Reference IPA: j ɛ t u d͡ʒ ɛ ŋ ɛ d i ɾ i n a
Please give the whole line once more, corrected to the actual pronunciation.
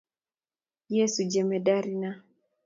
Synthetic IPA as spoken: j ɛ s u d͡ʒ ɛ m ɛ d a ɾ i n a

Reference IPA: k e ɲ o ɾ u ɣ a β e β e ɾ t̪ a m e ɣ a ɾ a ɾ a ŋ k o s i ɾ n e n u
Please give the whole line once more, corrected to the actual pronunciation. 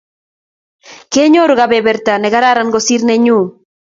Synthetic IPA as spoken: k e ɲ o ɾ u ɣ a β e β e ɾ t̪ a n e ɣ a ɾ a ɾ a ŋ ɡ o s i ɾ n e ɲ u

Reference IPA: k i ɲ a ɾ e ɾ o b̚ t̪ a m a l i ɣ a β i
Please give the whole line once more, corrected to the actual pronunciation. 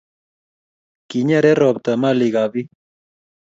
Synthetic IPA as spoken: k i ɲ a ɾ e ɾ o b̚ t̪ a m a l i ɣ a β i

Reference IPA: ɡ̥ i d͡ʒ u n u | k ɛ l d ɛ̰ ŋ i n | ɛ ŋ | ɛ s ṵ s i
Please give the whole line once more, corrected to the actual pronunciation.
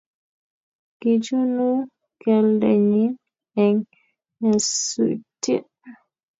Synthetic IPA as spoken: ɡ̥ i d͡ʒ u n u | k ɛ l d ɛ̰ ɲ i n | ɛ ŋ | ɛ s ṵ t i

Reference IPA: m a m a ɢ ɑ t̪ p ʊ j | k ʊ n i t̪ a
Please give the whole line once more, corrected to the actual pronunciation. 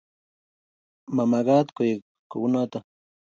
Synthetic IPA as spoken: m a m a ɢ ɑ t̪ k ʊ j | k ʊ n a t̪ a

